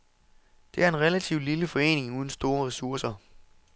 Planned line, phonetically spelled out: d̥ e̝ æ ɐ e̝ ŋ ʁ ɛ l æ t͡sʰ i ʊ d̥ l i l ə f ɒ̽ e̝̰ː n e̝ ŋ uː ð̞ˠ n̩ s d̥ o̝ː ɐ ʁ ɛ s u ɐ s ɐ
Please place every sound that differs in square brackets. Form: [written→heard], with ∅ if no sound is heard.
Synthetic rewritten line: d̥ e̝ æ ɐ e̝ [ŋ→n] ʁ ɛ l æ t͡sʰ i ʊ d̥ l i l ə f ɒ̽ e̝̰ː n e̝ ŋ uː ð̞ˠ n̩ s d̥ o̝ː ɐ ʁ ɛ s u ɐ s ɐ